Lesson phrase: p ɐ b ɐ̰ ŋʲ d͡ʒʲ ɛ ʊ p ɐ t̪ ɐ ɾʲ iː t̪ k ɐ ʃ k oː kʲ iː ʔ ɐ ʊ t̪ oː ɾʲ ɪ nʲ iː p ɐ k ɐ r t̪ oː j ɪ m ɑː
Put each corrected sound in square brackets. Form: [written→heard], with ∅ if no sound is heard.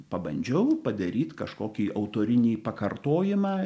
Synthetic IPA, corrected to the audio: p ɐ b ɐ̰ [ŋʲ→nʲ] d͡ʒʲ ɛ ʊ p ɐ [t̪→d̪] ɐ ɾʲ iː t̪ k ɐ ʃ k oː kʲ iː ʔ ɐ ʊ t̪ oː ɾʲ ɪ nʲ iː p ɐ k ɐ r t̪ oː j ɪ m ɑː